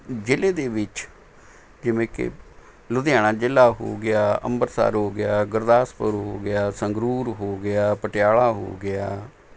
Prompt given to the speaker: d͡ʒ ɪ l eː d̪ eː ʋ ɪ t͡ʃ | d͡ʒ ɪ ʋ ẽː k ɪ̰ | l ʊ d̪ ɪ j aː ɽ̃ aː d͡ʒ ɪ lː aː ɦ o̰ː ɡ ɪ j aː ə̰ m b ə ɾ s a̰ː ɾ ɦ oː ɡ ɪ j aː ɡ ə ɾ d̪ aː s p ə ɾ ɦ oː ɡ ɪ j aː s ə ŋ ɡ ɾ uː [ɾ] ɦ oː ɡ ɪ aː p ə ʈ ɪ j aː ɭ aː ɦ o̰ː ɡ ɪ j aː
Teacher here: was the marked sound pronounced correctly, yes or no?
yes